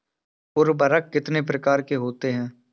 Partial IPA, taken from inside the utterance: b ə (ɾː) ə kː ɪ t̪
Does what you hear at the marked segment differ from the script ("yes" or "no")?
yes